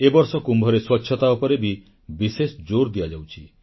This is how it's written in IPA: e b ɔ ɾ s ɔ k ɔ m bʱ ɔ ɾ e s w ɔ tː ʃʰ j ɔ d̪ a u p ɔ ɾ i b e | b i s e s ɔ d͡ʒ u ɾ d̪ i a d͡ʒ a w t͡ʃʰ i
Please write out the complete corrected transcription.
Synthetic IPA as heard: e b ɔ ɾ s ɔ k u m bʱ ɔ ɾ e s w ɔ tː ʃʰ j ɔ t̪ a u p ɔ ɾ e b i | b i s e s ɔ d͡ʒ o ɾ d̪ i a d͡ʒ a w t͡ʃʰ i